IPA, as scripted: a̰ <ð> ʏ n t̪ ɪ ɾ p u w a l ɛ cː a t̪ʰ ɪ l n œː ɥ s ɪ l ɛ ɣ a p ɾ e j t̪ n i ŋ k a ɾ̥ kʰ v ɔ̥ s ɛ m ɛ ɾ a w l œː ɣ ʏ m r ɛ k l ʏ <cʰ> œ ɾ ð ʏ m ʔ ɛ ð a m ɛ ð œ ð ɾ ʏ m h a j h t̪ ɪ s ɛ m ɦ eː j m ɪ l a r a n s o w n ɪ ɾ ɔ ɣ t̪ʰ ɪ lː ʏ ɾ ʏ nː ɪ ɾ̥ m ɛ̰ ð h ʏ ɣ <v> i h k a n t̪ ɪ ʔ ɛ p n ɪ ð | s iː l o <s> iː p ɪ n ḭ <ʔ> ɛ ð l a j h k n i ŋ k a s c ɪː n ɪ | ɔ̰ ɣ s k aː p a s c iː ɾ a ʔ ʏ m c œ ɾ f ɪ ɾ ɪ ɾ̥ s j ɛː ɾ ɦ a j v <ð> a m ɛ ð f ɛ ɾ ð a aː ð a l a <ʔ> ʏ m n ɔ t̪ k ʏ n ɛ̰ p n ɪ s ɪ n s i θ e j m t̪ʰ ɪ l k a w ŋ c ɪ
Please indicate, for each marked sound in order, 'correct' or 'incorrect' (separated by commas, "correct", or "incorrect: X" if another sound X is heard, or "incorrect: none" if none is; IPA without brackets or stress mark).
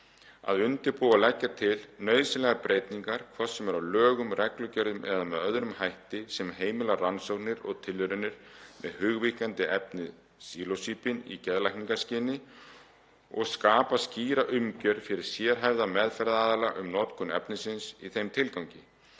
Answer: correct, incorrect: c, correct, correct, incorrect: c, correct, correct